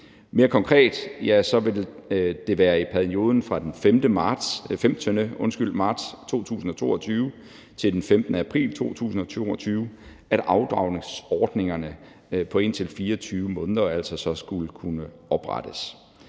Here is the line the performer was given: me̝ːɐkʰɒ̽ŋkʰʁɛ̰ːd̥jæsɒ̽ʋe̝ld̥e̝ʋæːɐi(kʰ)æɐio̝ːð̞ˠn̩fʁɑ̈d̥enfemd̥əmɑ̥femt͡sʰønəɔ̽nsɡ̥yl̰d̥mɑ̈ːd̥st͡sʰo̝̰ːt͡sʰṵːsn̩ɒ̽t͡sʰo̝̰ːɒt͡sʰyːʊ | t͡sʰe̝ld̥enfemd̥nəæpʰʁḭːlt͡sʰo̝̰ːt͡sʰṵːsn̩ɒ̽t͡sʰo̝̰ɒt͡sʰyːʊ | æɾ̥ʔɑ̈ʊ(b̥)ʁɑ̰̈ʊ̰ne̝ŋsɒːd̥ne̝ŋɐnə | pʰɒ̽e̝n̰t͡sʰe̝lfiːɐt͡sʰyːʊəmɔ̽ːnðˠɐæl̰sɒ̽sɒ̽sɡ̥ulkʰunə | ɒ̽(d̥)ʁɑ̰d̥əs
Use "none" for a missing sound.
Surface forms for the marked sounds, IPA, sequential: pʰ, d̥, b̥

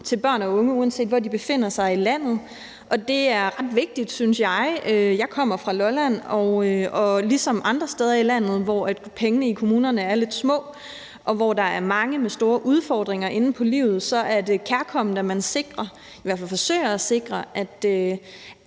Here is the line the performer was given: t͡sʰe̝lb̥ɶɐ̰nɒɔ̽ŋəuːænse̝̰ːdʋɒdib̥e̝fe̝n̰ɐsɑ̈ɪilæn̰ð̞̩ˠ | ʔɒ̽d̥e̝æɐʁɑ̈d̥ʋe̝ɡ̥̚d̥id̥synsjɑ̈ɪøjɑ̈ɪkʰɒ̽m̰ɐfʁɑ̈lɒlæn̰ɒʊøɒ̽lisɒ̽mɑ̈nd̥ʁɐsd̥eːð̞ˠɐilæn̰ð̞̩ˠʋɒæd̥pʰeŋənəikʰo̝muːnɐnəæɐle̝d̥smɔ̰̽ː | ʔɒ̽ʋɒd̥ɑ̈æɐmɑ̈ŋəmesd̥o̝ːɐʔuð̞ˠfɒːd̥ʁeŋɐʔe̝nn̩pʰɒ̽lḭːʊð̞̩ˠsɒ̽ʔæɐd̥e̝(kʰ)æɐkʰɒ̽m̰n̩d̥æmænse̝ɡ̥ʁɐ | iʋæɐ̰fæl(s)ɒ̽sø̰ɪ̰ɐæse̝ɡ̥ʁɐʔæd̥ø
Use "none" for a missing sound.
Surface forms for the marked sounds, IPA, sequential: kʰ, f

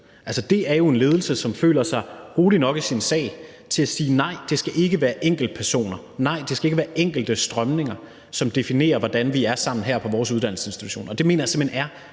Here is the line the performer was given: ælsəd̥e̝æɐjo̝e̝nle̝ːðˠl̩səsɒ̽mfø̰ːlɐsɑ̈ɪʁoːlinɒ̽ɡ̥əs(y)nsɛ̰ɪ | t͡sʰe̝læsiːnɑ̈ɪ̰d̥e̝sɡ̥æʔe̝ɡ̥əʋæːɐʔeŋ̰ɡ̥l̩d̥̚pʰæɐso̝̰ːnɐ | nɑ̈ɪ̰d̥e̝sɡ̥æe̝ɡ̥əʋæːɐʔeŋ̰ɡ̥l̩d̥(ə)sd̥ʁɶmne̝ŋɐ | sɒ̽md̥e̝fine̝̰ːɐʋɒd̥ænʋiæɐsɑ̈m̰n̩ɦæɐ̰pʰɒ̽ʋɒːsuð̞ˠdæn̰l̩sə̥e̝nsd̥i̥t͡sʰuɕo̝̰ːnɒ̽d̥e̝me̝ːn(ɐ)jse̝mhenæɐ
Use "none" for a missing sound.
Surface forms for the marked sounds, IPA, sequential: i, ə, ɐ

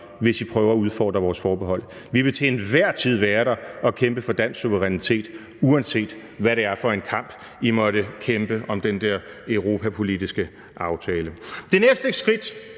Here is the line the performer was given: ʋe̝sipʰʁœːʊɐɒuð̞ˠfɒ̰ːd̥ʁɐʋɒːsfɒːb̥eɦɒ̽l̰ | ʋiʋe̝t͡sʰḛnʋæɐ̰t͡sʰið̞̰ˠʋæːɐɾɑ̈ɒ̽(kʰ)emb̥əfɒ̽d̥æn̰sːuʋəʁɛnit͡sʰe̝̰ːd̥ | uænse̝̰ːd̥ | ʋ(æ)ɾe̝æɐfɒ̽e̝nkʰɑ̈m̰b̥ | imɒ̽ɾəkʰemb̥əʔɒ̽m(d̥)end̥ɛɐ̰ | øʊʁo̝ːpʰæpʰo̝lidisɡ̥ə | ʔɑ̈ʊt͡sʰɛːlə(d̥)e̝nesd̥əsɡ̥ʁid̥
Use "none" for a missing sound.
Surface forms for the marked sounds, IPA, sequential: kʰ, æ, d̥, d̥

